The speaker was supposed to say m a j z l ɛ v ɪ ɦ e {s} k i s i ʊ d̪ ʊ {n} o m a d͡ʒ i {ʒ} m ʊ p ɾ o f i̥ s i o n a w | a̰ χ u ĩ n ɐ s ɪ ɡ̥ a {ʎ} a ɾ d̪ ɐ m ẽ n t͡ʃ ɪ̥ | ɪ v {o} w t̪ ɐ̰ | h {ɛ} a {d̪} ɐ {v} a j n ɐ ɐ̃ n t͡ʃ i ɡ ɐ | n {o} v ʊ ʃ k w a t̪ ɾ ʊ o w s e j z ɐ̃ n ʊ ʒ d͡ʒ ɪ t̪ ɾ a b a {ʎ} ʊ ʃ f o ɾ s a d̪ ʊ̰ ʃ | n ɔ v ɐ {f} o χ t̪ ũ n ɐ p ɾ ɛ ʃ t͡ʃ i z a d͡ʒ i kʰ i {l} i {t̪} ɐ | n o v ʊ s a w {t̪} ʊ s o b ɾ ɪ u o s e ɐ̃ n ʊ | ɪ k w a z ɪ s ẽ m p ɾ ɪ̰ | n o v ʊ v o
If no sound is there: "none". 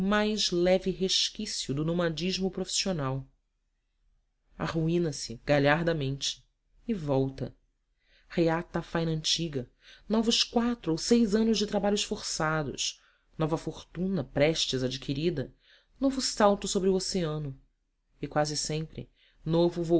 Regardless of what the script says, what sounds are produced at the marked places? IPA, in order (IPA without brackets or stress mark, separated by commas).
ʃ, n, ʒ, ʎ, ɔ, e, t̪, f, ɔ, ʎ, f, ɾ, d̪, t̪